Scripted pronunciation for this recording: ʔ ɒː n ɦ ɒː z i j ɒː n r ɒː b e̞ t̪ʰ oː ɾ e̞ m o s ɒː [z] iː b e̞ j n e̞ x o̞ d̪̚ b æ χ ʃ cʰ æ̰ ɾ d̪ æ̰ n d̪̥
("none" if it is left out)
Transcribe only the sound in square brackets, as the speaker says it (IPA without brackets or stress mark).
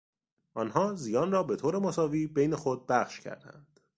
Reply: v